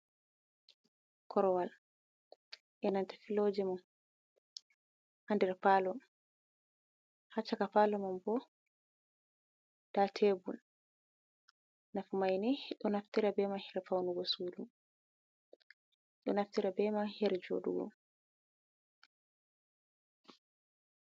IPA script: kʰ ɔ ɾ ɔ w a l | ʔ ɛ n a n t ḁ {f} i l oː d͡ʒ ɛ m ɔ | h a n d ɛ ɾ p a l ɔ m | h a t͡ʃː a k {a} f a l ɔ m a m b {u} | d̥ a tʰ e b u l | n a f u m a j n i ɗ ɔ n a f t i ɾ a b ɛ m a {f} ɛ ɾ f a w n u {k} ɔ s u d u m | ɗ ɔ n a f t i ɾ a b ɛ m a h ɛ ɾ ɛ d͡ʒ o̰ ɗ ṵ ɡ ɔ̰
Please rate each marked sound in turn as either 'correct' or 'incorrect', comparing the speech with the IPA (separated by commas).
correct, correct, incorrect, incorrect, incorrect